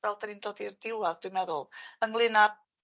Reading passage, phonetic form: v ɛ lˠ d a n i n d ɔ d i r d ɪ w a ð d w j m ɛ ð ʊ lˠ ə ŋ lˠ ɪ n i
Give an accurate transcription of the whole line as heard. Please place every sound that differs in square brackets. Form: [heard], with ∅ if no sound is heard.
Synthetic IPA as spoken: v ɛ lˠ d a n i n d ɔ d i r d ɪ w a ð d w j m ɛ ð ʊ lˠ ə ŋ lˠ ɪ n [a]